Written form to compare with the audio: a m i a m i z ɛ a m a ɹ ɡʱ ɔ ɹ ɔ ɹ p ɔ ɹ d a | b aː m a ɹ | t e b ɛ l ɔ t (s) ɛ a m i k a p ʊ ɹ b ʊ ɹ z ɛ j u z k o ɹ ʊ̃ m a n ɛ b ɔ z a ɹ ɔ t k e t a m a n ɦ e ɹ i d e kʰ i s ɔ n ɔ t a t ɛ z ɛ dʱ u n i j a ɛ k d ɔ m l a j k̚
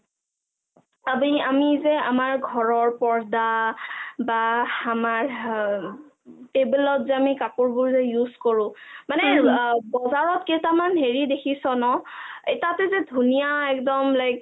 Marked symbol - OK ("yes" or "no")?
no